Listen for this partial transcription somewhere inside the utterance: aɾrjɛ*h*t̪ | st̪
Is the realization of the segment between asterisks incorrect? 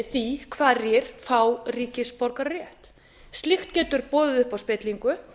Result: no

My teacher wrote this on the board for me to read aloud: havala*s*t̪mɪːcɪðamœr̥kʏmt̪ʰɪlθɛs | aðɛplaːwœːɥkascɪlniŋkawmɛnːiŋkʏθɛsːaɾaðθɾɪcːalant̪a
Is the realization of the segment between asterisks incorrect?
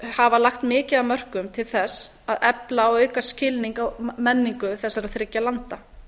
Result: yes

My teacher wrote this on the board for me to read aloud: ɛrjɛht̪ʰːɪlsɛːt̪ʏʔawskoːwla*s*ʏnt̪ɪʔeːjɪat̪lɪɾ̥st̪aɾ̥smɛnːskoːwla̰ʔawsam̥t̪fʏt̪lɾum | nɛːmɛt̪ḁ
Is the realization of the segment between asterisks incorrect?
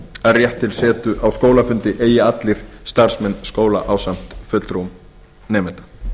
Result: yes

